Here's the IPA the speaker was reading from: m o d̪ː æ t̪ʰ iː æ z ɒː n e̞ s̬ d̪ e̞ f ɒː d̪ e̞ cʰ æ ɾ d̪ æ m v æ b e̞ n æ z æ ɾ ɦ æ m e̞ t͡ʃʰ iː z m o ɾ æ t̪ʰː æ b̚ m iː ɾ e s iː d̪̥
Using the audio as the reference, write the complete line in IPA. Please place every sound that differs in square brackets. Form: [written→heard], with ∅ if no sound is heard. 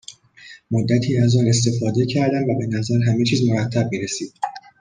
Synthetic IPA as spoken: m o d̪ː æ t̪ʰ iː æ z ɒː n e̞ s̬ [d̪→t̪] e̞ f ɒː d̪ e̞ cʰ æ ɾ d̪ æ m v æ b e̞ n æ z æ ɾ ɦ æ m e̞ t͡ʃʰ iː z m o ɾ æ t̪ʰː æ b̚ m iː ɾ e s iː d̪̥